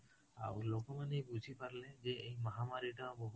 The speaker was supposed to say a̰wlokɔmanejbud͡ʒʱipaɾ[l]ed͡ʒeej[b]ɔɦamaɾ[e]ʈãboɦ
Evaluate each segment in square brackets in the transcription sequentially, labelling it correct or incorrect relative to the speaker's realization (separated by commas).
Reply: correct, incorrect, incorrect